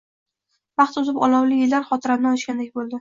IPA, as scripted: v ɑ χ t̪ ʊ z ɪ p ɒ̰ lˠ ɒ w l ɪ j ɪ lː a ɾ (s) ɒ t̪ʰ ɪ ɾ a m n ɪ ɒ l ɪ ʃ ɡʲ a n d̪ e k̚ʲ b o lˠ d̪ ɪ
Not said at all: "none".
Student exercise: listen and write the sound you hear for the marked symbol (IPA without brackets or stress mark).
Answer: χ